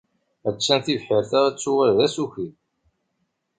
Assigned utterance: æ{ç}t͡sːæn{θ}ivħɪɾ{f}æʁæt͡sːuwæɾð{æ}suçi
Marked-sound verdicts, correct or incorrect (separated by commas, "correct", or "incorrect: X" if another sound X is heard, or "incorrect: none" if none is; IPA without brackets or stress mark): incorrect: none, correct, incorrect: θ, correct